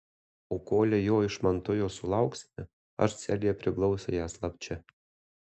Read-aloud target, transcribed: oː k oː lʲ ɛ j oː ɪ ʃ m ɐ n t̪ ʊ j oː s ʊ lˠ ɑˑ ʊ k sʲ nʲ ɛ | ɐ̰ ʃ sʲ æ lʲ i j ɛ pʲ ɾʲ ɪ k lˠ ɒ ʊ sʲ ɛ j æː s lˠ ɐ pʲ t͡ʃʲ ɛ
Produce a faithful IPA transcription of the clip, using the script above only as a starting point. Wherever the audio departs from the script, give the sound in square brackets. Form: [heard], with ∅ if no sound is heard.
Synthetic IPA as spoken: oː k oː lʲ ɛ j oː ɪ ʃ m ɐ n t̪ ʊ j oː s ʊ lˠ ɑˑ ʊ k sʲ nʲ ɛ | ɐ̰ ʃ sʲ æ lʲ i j ɛ pʲ ɾʲ ɪ k lˠ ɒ ʊ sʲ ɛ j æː s lˠ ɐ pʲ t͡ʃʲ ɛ